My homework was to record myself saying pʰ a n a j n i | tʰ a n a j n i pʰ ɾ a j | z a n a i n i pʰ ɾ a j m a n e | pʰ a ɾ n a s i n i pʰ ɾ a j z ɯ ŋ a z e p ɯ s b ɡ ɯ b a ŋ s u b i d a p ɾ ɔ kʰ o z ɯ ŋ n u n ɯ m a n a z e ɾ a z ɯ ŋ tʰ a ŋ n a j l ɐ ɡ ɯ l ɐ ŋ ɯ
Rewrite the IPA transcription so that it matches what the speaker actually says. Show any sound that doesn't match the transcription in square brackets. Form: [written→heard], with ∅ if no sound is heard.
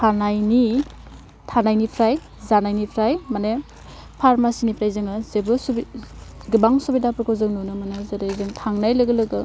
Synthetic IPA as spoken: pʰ a n a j n i | tʰ a n a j n i pʰ ɾ a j | z a n a [i→j] n i pʰ ɾ a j m a n e | pʰ a ɾ [n→m] a s i n i pʰ ɾ a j z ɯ ŋ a z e [p→b] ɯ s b ɡ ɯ b a ŋ s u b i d a p ɾ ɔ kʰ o z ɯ ŋ n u n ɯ m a n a z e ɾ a z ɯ ŋ tʰ a ŋ n a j l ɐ ɡ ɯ l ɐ [ŋ→ɡ] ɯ

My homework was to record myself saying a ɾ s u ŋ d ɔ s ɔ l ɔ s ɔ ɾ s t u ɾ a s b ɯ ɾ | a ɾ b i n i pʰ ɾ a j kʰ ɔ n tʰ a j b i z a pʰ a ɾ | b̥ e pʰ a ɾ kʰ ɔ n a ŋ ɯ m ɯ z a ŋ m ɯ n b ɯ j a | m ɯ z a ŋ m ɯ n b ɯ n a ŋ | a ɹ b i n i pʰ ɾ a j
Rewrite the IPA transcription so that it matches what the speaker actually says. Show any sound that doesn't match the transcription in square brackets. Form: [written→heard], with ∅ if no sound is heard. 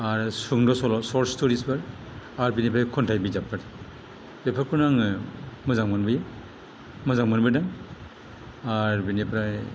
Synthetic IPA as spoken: a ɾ s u ŋ d ɔ s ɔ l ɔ s ɔ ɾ s t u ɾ [a→i] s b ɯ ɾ | a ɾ b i n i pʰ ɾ a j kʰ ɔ n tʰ a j b i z a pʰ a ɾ | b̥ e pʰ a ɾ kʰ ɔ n a ŋ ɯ m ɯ z a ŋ m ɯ n b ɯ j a | m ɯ z a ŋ m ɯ n b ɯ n a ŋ | a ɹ b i n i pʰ ɾ a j

